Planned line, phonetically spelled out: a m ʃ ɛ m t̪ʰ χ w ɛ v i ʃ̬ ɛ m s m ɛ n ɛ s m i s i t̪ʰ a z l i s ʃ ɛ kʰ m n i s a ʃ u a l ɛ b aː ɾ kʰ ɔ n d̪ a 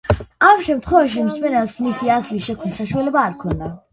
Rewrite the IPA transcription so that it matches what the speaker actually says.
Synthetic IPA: a m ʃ ɛ m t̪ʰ χ w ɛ v a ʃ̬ i m s m ɛ n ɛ s m i s i a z l i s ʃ ɛ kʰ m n i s a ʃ u a l ɛ b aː ɾ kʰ ɔ n d̪ a